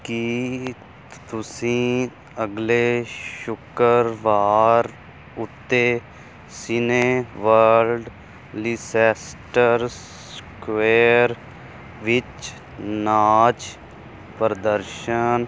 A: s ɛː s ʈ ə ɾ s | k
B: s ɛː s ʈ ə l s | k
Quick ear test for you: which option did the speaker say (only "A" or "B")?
A